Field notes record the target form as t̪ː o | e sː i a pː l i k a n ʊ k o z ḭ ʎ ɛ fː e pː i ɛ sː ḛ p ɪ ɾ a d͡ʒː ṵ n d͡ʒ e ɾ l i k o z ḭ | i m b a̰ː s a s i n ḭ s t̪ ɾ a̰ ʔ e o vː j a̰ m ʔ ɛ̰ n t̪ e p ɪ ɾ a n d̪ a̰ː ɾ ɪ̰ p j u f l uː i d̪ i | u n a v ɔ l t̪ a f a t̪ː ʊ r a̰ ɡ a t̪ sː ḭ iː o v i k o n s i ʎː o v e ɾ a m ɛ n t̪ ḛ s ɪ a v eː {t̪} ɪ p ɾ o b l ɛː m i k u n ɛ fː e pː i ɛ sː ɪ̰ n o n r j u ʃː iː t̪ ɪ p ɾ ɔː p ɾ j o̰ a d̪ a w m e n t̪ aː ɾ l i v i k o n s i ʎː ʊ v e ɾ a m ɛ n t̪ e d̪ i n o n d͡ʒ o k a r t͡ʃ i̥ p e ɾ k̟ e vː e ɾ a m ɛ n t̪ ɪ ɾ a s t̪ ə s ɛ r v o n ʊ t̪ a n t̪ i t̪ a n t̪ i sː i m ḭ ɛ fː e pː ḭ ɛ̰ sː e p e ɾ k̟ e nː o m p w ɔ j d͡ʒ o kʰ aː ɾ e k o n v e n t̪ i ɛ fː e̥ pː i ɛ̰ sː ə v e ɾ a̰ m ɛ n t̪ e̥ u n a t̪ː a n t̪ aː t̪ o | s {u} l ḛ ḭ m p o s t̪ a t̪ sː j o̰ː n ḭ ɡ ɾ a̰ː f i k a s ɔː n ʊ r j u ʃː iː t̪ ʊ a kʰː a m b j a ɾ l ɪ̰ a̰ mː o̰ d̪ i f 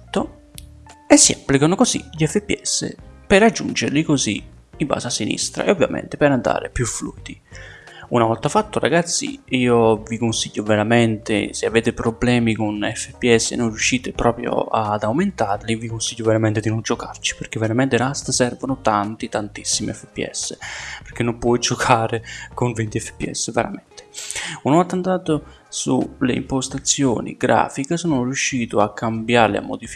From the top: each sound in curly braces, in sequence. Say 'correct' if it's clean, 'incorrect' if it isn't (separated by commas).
correct, correct